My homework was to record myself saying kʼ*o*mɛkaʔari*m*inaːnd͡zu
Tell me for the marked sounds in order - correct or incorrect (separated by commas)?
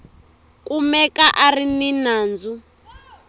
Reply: incorrect, incorrect